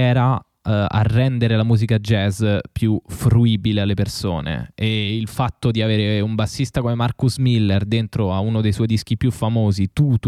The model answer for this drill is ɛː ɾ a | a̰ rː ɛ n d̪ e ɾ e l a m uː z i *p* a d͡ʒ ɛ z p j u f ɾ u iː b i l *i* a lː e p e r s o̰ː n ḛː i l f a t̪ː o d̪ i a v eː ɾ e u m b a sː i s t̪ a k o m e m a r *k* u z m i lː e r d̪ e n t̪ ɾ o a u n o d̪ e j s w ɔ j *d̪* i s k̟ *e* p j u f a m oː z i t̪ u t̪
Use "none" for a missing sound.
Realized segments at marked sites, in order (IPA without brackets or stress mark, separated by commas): k, e, k, d̪, i